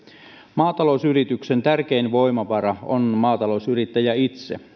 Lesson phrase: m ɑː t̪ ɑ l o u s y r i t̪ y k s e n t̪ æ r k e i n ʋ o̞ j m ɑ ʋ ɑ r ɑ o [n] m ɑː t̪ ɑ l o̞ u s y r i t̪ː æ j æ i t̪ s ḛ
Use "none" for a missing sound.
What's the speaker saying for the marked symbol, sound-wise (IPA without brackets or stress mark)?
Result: n